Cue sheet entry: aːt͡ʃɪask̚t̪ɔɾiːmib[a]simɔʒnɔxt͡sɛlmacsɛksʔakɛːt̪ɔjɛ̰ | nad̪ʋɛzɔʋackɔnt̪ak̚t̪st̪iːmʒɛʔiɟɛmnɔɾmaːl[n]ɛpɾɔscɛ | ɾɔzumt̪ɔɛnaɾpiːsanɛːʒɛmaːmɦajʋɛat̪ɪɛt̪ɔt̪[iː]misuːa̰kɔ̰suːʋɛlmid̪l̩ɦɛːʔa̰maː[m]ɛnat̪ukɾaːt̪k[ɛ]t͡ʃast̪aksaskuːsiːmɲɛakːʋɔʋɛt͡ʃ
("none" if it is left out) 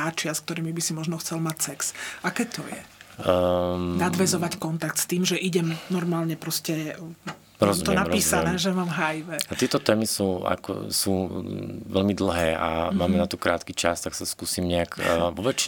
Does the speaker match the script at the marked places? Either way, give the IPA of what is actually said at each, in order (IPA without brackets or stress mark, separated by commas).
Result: i, ɲ, ɛː, m, i